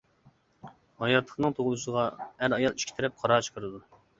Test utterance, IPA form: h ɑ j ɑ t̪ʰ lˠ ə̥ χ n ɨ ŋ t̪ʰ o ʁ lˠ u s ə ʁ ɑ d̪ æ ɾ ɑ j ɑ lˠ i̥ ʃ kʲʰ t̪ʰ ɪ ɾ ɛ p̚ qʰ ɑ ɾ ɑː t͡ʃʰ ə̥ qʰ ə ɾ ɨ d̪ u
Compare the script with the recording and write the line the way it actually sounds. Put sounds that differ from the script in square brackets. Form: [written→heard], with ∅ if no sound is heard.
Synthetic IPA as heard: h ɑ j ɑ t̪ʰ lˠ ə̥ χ n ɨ ŋ t̪ʰ o ʁ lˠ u s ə ʁ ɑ [d̪→∅] æ ɾ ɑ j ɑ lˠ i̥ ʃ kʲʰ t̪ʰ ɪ ɾ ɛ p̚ qʰ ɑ ɾ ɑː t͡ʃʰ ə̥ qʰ ə ɾ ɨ d̪ u

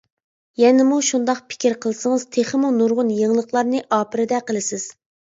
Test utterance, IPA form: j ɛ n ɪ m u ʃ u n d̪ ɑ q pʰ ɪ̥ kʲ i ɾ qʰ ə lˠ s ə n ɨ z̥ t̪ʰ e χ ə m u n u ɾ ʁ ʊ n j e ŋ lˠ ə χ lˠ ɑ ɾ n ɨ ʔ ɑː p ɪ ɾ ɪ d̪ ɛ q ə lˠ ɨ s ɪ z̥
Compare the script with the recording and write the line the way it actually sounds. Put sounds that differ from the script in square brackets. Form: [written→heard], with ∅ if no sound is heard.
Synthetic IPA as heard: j ɛ n ɪ m u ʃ u n d̪ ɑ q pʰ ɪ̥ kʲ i ɾ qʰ ə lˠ s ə [n→ŋ] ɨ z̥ t̪ʰ e χ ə m u n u ɾ ʁ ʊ n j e ŋ lˠ ə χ lˠ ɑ ɾ n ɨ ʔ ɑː p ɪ ɾ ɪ d̪ ɛ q ə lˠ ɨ s ɪ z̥

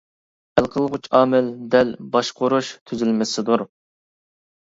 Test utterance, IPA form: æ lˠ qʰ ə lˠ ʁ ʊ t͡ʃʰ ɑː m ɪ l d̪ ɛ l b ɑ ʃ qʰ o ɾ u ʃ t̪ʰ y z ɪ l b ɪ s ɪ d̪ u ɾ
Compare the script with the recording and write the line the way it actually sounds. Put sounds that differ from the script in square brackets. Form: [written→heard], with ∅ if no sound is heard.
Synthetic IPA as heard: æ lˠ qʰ ə lˠ ʁ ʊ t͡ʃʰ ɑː m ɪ l d̪ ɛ l b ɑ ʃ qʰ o ɾ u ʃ t̪ʰ y z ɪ l [b→m] ɪ s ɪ d̪ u ɾ

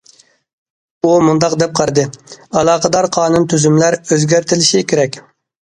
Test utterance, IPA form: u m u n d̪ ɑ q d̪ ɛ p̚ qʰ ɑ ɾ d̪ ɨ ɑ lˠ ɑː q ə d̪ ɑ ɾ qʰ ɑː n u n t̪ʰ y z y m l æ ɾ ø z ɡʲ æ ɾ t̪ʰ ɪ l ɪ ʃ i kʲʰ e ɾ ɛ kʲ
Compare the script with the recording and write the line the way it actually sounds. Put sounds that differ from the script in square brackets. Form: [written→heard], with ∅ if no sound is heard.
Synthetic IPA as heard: u m u n d̪ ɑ q d̪ ɛ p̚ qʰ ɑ ɾ d̪ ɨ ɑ lˠ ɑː q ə d̪ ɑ ɾ qʰ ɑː n u n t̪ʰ y z y m l æ ɾ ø z ɡʲ æ ɾ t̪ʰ ɪ l ɪ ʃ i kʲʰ e ɾ ɛ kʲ

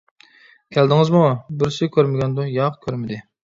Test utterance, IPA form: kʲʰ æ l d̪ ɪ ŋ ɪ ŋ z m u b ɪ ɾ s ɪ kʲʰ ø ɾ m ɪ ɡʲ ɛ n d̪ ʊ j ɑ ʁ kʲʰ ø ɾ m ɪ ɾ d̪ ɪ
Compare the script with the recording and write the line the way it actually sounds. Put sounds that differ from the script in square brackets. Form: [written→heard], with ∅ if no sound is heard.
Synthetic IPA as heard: kʲʰ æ l d̪ ɪ ŋ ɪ [ŋ→∅] z m u b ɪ ɾ s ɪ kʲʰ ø ɾ m ɪ ɡʲ ɛ n d̪ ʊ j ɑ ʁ kʲʰ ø ɾ m ɪ [ɾ→∅] d̪ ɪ

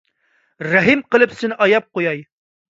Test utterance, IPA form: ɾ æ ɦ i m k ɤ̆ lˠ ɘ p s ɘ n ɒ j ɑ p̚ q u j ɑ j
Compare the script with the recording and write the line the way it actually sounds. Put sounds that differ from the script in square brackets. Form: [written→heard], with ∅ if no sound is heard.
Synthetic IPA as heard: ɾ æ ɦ i m [k→q] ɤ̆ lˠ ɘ p s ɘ n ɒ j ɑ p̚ q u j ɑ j

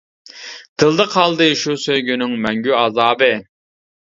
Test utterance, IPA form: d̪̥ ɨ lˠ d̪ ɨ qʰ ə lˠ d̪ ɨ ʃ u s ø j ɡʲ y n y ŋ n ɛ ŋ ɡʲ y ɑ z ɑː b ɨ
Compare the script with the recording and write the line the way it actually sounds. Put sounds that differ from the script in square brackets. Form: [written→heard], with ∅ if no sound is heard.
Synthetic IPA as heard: d̪̥ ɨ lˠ d̪ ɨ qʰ [ə→ɑ] lˠ d̪ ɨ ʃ u s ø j ɡʲ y n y ŋ [n→m] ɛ ŋ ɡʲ y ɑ z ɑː b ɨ

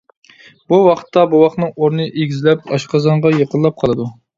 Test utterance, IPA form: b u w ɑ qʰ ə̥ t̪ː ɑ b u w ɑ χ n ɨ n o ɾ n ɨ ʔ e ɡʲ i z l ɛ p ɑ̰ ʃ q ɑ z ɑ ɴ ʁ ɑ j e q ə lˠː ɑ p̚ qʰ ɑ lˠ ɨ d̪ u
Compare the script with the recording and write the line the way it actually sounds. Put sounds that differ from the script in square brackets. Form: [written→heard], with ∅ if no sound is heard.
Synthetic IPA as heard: b u w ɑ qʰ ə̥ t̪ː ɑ b u w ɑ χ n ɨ [n→ŋ] o ɾ n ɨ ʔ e ɡʲ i z l ɛ p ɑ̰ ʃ q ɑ z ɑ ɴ ʁ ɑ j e q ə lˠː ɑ p̚ qʰ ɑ lˠ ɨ d̪ u

